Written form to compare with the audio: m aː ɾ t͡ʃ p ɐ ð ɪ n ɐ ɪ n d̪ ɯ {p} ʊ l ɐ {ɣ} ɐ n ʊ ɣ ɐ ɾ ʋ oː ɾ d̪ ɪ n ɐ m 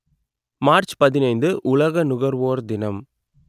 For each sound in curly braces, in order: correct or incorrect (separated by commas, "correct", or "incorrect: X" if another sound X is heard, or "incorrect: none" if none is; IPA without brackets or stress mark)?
incorrect: ʔ, correct